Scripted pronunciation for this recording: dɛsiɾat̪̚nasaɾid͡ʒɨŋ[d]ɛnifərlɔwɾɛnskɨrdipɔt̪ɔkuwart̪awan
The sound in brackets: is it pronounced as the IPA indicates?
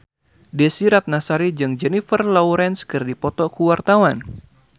no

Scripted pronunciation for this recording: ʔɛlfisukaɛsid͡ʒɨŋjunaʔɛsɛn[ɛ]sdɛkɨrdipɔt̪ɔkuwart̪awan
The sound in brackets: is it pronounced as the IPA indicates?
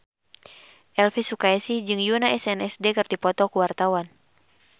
yes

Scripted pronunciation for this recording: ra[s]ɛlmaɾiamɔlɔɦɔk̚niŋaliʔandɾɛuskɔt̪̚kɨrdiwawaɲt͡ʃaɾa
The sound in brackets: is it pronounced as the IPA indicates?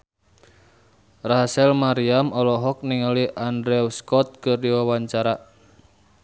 yes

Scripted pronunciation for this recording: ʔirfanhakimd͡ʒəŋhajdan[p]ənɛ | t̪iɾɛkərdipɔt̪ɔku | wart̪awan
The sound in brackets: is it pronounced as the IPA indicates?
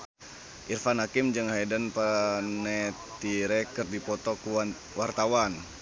yes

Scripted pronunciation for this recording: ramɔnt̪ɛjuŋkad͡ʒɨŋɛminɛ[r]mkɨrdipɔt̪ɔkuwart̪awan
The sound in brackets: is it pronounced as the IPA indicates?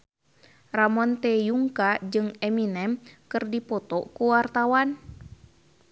no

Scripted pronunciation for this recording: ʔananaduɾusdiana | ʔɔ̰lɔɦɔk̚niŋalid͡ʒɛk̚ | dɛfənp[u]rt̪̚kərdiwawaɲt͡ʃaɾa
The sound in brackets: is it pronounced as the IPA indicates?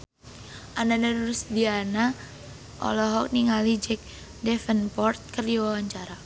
no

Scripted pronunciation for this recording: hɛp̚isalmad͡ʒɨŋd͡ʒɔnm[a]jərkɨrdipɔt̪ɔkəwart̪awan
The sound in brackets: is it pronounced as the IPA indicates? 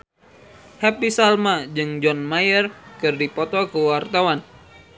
yes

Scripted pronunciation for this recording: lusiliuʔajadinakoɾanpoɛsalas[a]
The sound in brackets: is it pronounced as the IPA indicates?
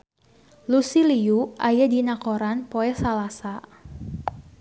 yes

